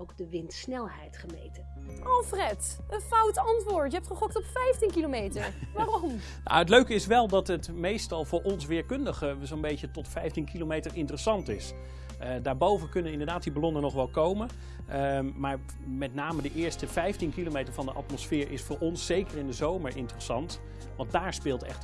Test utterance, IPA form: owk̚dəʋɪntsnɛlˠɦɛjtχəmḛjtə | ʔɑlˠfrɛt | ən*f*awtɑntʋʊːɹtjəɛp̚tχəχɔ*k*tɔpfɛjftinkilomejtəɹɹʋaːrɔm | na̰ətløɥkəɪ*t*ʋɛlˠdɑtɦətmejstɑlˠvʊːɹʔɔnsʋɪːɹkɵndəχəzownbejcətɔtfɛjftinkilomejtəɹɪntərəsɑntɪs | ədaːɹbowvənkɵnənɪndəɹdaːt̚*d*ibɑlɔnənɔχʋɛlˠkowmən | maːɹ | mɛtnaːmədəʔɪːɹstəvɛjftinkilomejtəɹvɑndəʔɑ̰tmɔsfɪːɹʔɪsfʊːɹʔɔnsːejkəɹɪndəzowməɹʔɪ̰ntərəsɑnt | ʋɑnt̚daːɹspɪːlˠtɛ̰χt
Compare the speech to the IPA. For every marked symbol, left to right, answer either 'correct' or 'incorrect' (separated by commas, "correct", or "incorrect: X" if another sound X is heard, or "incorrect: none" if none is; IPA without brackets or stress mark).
correct, correct, incorrect: s, correct